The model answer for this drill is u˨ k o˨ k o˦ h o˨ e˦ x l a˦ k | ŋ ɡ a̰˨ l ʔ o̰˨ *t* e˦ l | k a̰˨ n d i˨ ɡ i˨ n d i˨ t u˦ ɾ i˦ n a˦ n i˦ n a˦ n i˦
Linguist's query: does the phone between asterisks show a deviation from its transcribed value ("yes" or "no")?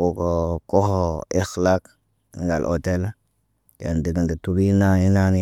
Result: no